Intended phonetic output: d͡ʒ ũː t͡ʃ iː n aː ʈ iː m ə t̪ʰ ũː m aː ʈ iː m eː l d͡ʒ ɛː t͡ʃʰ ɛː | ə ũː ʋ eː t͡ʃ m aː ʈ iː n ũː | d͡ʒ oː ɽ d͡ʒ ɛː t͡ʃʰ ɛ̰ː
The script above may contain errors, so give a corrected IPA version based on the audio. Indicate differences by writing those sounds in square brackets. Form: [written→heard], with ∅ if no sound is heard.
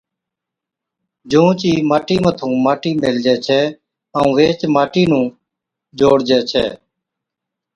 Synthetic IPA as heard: d͡ʒ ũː t͡ʃ iː [n→m] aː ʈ iː m ə t̪ʰ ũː m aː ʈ iː m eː l d͡ʒ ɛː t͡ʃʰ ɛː | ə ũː ʋ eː t͡ʃ m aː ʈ iː n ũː | d͡ʒ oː ɽ d͡ʒ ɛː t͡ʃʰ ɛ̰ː